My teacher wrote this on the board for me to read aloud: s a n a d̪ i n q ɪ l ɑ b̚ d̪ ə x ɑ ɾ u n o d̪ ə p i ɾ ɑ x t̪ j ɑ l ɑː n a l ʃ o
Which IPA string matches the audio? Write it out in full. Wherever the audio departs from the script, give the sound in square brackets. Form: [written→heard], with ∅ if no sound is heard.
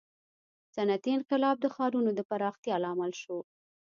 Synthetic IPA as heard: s a n a [d̪→t̪] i n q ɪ l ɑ b̚ d̪ ə x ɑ ɾ u n o d̪ ə p [i→a] ɾ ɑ x t̪ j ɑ l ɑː [n→m] a l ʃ o